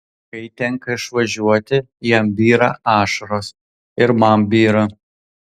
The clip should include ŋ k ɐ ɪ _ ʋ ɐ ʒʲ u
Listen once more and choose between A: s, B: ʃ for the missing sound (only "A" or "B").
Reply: B